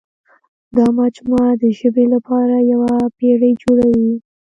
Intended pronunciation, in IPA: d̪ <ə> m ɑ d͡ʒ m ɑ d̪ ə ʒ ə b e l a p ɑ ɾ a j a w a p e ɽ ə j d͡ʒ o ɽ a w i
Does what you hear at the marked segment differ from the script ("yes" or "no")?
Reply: yes